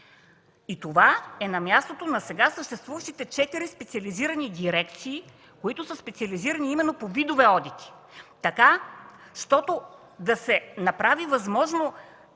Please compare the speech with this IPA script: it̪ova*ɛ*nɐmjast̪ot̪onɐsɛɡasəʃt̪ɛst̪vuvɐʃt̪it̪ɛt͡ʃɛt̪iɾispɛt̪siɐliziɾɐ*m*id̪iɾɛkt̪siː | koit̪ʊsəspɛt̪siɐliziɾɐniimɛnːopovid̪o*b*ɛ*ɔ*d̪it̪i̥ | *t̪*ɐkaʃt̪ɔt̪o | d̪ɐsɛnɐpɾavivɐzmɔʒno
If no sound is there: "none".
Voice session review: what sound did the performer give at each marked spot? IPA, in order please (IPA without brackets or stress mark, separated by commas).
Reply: ɛ, n, v, ɔ, t̪